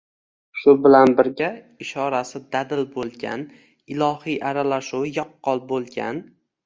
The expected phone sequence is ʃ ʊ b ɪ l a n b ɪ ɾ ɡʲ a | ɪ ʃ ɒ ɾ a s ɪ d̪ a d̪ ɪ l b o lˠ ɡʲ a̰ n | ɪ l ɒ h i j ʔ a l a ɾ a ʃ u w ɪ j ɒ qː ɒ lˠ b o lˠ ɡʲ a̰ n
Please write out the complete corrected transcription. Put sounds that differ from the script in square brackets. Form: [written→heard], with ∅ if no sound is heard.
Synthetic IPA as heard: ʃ ʊ b ɪ l a n b ɪ ɾ ɡʲ a | ɪ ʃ ɒ ɾ a s ɪ d̪ a d̪ ɪ l b o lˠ ɡʲ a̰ n | ɪ l ɒ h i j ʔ a [l→ɾ] a [ɾ→l] a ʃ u w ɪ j ɒ qː ɒ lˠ b o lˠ ɡʲ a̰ n